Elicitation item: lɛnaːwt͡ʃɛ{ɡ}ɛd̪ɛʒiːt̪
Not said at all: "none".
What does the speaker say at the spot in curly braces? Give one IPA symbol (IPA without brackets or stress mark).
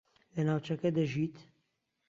k